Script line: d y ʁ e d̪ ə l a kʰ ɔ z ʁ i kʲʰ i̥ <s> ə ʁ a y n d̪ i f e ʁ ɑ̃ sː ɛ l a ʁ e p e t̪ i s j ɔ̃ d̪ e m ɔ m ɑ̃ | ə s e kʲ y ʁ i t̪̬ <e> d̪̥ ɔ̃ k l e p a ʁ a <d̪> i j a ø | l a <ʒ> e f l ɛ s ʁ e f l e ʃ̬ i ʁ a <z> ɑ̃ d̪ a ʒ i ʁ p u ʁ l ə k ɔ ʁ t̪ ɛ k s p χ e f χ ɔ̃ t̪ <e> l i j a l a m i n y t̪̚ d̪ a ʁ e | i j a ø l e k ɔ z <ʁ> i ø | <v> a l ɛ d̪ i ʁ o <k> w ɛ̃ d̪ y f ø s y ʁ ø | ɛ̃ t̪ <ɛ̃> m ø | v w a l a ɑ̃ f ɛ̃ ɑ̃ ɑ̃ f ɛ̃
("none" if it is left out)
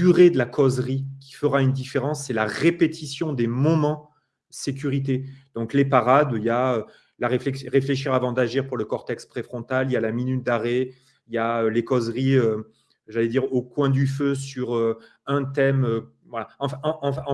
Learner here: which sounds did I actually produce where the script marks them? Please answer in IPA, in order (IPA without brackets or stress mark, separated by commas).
f, e, d̪, ʁ, v, a, ʁ, ʒ, k, ɛ